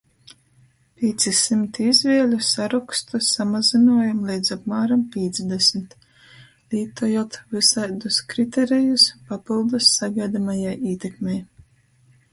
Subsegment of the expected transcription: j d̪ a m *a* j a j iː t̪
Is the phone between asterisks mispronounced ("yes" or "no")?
no